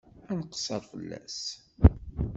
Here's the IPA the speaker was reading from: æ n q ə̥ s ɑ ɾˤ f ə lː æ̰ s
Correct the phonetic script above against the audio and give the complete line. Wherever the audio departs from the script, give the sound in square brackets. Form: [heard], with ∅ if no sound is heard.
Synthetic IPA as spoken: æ n q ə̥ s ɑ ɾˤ f ə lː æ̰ s